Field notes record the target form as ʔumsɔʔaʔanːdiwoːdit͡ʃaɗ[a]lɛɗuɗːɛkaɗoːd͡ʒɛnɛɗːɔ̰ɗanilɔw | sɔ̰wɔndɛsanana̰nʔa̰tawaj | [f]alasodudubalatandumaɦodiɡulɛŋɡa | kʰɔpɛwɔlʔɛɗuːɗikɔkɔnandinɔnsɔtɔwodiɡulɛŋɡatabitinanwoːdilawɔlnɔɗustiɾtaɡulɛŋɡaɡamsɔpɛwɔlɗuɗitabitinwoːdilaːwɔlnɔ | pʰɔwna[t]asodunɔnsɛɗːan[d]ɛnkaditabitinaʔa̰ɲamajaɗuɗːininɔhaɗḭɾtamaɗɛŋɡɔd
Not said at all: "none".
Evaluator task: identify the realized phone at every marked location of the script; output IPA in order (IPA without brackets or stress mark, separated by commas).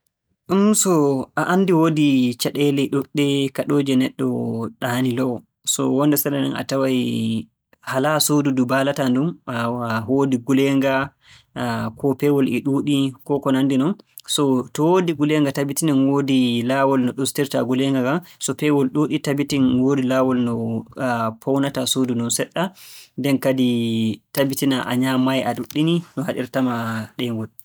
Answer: ɛ, h, t, d